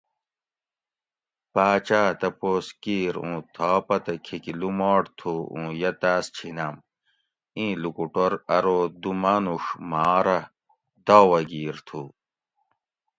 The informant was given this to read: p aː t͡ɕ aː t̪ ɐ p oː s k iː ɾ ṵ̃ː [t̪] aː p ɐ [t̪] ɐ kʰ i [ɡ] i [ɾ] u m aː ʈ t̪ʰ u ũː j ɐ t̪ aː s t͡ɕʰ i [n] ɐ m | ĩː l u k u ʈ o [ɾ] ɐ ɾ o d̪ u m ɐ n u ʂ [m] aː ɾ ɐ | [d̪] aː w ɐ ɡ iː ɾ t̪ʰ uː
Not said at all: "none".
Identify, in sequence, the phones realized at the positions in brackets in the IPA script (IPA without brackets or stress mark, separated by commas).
t̪ʰ, t̪, k, l, n, ɾ, m, d̪